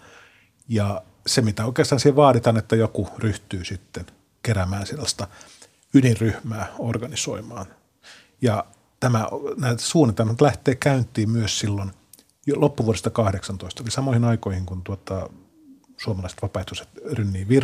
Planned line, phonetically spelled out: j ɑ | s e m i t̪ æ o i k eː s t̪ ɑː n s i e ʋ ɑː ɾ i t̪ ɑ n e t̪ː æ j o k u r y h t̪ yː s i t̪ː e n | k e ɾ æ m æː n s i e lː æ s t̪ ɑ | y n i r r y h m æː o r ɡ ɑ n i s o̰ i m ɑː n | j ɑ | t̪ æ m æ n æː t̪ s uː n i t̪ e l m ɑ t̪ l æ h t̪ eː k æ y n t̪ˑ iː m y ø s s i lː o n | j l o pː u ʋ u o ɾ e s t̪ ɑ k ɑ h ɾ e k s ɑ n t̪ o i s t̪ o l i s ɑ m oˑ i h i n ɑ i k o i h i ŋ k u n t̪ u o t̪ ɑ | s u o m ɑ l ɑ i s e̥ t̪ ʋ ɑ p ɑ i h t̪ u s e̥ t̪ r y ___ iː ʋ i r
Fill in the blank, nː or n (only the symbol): nː